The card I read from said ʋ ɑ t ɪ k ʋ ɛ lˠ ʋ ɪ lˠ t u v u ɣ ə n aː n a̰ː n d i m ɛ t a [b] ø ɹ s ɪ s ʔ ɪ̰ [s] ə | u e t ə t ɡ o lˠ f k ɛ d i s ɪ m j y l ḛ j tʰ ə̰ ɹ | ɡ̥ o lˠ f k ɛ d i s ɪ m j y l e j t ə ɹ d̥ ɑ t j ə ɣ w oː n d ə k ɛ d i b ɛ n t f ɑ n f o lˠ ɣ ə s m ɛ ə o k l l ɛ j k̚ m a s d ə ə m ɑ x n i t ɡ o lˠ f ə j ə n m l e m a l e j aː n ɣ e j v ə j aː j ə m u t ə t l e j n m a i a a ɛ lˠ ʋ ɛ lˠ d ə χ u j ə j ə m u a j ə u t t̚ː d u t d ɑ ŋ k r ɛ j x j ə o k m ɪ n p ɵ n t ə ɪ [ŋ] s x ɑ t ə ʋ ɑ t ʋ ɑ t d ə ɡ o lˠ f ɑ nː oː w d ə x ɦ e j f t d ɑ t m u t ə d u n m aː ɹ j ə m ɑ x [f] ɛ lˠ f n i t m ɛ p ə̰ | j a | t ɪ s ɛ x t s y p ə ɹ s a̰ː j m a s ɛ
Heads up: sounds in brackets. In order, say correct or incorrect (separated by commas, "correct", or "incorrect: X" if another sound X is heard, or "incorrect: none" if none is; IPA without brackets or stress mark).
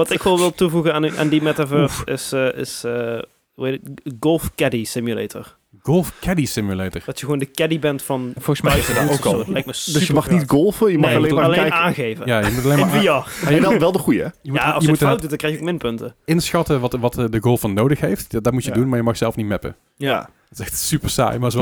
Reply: incorrect: v, correct, incorrect: n, incorrect: s